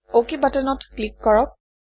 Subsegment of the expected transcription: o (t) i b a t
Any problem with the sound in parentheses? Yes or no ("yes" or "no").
yes